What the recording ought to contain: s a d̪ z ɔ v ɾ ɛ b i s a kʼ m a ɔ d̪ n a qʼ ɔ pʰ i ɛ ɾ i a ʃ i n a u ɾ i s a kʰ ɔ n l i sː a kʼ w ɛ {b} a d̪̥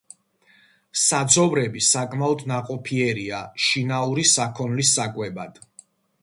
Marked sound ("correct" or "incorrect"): correct